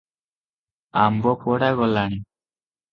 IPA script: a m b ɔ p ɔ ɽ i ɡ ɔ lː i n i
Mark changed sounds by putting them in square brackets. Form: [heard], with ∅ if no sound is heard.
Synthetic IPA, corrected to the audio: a m b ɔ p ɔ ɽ [a] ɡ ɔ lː [a] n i